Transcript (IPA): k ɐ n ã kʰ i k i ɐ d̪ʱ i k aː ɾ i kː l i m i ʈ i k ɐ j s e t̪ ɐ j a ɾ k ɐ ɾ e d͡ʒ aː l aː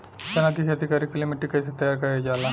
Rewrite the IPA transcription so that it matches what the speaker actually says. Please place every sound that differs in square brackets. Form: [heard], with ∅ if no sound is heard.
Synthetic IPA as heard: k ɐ n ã [k] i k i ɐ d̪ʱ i k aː ɾ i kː l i m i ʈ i k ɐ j s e t̪ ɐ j a ɾ k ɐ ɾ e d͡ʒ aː l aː